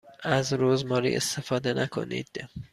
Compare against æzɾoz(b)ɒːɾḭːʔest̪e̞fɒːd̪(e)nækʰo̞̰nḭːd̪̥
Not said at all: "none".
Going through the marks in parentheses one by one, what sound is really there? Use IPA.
m, e

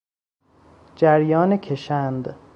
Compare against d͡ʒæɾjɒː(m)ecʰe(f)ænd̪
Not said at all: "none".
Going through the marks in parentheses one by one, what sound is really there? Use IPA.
n, ʃ

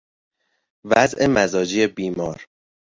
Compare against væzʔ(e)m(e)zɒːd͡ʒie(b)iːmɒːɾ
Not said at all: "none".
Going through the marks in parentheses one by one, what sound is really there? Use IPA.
e, æ, b

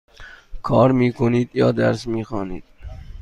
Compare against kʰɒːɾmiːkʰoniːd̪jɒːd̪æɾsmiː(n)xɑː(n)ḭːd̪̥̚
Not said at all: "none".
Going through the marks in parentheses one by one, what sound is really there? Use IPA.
none, n

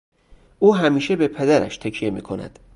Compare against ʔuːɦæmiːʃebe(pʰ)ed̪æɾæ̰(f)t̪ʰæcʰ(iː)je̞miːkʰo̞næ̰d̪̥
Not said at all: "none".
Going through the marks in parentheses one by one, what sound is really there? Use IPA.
pʰ, ʃ, i

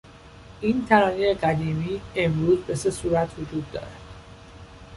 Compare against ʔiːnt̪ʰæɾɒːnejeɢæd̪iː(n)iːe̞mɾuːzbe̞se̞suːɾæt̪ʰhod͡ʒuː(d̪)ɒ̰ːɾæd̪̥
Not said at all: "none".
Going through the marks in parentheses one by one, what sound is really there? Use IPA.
m, d̪ː

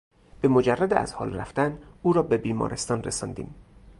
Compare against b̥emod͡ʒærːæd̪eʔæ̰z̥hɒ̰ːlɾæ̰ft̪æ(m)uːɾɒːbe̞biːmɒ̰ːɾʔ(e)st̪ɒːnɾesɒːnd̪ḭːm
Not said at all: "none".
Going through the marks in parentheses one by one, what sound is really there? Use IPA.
n, e

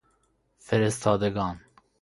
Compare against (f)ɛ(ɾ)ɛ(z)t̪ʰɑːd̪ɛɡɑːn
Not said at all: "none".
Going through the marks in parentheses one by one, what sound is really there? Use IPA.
f, ɾ, s

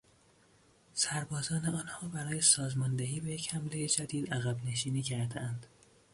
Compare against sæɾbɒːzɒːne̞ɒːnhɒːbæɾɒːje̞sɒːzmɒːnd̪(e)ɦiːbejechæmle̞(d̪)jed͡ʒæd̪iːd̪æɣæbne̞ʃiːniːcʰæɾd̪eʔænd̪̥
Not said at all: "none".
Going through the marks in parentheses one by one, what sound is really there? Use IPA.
e, none

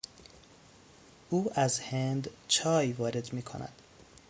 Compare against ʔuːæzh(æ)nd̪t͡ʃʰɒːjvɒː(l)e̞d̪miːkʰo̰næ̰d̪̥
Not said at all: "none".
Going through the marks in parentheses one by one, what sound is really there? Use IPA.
e, ɾ

